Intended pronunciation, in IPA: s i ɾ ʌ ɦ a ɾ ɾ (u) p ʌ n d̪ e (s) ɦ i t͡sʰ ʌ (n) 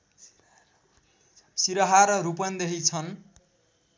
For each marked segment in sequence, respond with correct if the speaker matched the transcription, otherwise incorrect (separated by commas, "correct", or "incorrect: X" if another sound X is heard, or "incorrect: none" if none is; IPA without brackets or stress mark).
correct, incorrect: none, correct